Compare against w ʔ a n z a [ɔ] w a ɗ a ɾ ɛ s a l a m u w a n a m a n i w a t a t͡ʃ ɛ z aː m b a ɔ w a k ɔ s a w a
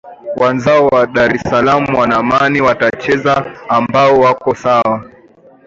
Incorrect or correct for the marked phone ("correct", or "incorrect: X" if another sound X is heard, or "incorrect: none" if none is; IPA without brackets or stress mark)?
correct